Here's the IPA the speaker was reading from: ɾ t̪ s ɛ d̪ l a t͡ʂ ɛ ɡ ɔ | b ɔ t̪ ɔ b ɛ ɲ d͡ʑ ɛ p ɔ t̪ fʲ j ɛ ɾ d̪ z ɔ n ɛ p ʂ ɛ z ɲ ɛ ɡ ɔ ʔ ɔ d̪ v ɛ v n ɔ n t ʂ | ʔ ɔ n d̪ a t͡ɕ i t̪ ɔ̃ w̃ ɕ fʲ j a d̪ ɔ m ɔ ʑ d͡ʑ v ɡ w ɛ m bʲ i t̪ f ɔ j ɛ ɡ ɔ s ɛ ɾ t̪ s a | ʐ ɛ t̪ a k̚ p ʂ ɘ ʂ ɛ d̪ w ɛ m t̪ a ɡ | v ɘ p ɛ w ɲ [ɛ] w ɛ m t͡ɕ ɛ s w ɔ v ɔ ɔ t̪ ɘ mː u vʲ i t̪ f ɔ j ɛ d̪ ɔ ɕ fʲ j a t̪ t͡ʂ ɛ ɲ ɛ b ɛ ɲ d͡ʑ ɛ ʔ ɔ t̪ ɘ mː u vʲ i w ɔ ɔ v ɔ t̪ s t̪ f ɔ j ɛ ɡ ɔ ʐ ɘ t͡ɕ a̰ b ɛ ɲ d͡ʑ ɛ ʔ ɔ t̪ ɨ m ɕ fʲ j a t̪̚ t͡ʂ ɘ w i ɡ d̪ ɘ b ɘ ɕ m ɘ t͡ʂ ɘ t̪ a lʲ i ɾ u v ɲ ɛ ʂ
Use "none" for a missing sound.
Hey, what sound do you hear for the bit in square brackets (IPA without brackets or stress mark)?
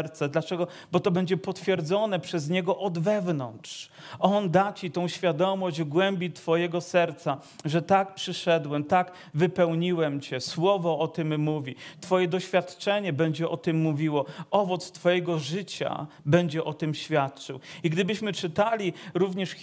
i